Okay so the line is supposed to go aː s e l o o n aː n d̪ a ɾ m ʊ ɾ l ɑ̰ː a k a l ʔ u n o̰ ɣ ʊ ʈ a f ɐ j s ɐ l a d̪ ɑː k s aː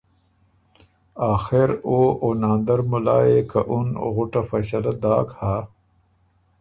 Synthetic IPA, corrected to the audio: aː x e ɾ o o n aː n d̪ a ɾ m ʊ l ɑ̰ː e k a ʔ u n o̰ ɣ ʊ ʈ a f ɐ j s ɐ l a d̪ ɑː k h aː